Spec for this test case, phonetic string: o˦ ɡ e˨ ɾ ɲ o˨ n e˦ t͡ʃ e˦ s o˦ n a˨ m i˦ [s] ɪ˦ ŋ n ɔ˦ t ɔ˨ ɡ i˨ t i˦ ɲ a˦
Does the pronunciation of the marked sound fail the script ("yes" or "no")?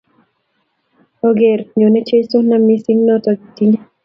no